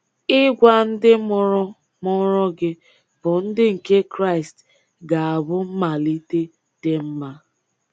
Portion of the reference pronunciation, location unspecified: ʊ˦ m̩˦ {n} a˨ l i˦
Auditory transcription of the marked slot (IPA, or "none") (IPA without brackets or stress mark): m